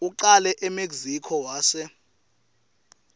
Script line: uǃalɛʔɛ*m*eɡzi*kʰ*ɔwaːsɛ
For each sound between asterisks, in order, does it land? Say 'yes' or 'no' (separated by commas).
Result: yes, yes